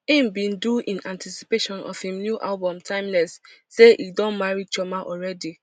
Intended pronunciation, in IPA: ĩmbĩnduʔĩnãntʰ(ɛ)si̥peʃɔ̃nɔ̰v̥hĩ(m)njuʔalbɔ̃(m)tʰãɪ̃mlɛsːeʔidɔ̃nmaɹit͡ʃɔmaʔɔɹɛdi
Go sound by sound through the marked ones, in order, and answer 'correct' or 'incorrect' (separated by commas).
incorrect, correct, correct